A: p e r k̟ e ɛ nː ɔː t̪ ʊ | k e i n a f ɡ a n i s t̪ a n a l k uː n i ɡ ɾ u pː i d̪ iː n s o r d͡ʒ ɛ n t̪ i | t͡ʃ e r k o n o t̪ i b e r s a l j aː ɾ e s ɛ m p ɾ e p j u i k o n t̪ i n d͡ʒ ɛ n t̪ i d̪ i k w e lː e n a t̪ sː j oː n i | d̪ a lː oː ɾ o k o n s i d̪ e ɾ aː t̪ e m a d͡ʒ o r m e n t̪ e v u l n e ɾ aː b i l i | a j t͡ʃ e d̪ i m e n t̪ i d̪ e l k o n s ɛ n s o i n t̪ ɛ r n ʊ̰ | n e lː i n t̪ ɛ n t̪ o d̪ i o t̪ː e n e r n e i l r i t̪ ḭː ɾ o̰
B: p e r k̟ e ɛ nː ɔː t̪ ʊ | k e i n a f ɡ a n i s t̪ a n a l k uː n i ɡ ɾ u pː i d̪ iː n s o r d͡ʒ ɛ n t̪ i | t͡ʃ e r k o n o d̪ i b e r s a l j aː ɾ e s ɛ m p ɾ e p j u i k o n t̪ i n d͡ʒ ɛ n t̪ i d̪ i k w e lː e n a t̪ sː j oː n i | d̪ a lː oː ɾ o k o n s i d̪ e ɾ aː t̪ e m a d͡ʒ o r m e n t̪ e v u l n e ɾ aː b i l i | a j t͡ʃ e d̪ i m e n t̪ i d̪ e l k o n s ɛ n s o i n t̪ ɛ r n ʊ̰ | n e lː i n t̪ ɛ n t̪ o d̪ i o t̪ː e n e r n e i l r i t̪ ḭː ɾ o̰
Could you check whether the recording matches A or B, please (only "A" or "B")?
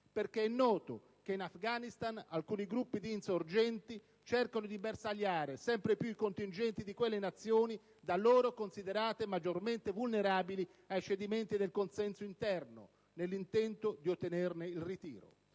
B